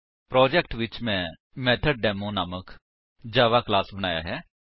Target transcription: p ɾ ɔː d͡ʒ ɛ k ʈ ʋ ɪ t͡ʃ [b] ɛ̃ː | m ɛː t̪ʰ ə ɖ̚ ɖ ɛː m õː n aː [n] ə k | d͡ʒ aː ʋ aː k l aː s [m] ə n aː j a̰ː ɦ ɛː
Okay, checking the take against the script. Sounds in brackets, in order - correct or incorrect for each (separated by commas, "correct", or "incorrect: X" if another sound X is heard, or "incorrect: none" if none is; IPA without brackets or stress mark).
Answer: incorrect: m, incorrect: m, incorrect: b